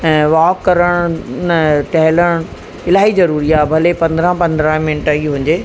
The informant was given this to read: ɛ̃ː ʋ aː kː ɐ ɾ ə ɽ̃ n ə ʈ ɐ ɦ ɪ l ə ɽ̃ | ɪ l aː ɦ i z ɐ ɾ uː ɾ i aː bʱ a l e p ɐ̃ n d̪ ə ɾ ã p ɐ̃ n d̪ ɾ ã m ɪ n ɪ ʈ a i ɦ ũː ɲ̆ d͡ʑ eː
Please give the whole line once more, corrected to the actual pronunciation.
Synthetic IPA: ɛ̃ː ʋ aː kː ɐ ɾ ə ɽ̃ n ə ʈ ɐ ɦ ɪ l ə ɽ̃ | ɪ l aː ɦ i z ɐ ɾ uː ɾ i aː bʱ ɐ l e p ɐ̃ n d̪ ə ɾ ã p ɐ̃ n d̪ ɾ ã m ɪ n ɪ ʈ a i ɦ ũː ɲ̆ d͡ʑ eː